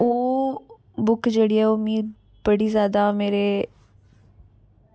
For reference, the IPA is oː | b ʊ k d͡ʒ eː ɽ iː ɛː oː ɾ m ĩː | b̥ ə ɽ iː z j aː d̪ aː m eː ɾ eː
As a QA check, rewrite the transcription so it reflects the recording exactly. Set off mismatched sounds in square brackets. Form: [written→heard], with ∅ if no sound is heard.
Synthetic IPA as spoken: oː | b ʊ k d͡ʒ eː ɽ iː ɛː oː [ɾ→∅] m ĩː | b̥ ə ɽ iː z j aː d̪ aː m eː ɾ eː